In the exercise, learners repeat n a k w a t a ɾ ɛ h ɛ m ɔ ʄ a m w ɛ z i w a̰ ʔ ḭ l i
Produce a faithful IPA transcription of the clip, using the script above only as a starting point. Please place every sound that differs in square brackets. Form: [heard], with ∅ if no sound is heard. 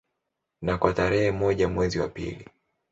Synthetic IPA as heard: n a k w a t a ɾ ɛ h ɛ m ɔ ʄ a m w ɛ z i w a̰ [p] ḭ l i